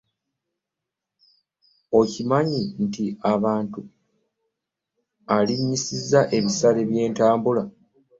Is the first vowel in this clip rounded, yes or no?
yes